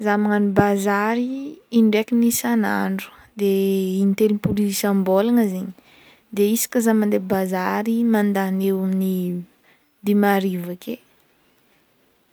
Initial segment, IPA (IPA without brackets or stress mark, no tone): z